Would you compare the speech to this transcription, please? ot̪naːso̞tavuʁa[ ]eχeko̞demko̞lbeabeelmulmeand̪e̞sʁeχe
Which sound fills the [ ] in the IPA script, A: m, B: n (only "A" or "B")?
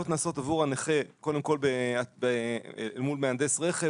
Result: B